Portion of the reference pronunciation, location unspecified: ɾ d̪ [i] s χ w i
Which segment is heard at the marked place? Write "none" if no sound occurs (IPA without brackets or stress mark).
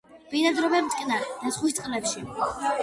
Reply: a